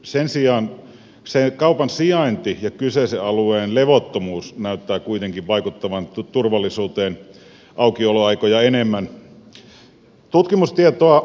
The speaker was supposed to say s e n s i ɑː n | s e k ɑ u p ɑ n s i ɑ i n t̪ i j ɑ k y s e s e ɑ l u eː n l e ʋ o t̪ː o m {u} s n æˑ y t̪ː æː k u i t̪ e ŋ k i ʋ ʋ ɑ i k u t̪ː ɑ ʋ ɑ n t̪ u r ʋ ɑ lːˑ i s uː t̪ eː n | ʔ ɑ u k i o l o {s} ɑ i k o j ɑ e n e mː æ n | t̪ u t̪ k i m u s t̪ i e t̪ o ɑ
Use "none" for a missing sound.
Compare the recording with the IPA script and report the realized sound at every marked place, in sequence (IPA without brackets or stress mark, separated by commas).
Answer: uː, none